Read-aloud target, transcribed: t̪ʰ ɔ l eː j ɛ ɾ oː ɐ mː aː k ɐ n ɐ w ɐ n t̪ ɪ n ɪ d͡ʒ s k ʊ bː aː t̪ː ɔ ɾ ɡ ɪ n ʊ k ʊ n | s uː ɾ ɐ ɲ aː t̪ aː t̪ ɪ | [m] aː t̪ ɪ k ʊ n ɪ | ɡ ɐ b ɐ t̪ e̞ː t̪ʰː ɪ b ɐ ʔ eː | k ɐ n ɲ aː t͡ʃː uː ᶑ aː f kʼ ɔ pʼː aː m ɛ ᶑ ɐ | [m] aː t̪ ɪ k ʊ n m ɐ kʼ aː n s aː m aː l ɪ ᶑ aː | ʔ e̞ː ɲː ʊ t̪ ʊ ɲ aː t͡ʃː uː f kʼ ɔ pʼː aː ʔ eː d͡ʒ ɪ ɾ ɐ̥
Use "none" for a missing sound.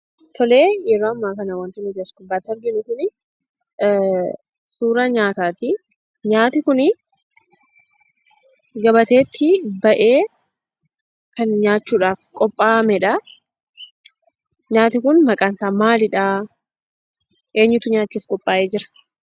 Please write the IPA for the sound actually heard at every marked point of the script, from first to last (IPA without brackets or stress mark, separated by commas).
ɲ, ɲ